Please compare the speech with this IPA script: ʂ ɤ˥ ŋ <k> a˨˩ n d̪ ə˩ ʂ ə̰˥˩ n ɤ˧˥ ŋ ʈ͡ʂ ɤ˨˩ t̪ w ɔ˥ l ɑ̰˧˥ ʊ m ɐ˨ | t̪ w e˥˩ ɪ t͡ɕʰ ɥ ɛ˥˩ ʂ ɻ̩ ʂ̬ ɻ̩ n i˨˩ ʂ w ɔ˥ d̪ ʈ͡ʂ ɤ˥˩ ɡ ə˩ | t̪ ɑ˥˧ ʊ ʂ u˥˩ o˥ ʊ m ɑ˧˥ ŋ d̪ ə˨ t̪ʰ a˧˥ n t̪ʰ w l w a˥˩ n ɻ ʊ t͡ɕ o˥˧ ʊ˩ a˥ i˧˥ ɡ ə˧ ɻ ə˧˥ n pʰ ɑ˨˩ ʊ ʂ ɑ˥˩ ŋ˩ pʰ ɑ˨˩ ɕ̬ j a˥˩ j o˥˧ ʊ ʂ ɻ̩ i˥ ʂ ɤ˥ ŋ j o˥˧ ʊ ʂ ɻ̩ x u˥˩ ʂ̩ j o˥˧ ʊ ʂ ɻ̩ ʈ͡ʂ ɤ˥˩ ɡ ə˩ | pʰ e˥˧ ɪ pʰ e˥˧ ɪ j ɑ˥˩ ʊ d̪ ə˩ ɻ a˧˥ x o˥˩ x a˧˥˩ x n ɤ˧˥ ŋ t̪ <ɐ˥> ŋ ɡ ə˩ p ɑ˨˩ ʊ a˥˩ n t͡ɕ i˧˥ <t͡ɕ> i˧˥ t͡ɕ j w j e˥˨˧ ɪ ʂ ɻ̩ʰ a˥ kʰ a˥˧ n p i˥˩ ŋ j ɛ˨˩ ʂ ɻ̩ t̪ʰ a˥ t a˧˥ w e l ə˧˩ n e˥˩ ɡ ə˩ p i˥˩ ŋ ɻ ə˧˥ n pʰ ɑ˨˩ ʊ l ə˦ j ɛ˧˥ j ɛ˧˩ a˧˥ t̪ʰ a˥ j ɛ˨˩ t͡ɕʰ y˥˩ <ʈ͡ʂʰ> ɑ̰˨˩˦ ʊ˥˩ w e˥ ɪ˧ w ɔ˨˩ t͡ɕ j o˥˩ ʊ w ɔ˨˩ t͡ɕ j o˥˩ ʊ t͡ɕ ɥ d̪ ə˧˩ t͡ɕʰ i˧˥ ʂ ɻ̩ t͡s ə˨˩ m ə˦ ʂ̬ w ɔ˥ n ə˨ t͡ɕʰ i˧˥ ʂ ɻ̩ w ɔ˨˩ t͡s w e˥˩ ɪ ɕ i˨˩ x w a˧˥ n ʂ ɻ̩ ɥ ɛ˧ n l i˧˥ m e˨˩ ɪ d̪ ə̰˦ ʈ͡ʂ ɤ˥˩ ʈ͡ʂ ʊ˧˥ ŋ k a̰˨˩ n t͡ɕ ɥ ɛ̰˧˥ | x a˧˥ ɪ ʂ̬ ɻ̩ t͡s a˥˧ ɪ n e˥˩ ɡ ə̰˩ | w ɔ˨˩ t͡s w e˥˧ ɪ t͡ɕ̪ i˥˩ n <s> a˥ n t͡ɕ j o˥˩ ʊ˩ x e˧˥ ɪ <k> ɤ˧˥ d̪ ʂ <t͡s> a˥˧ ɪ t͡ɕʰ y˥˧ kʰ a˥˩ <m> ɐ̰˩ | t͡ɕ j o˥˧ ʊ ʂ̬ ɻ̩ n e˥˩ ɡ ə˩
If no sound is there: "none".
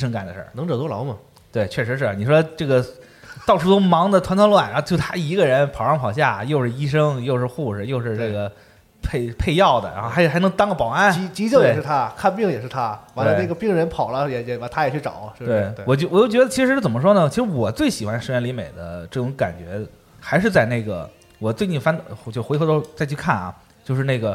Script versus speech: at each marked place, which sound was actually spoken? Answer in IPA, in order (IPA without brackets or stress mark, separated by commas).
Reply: k, ɑ˥, t͡ɕ, ʈ͡ʂ, f, x, t͡s, n